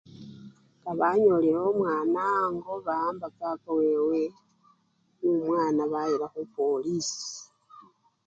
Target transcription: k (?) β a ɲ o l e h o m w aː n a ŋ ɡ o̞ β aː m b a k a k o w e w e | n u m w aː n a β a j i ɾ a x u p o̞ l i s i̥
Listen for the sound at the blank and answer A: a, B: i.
A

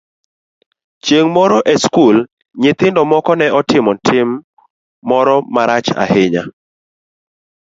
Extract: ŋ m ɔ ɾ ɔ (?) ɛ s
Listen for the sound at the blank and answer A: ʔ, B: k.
A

